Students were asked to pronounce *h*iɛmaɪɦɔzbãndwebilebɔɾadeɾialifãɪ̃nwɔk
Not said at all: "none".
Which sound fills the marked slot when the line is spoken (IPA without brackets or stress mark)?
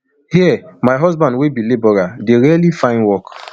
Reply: h